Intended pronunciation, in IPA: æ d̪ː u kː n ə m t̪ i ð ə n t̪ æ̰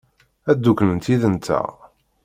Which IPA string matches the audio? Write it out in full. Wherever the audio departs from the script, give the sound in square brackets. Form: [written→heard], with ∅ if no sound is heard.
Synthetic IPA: æ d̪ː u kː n ə [m→n] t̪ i ð ə n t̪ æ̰